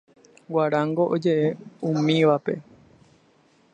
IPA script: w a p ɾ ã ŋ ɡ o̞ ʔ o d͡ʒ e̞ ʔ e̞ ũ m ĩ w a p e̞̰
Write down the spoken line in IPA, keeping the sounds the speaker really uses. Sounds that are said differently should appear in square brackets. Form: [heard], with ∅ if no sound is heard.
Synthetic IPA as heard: w a [∅] ɾ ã ŋ ɡ o̞ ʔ o d͡ʒ e̞ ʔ e̞ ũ m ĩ [ʋ] a p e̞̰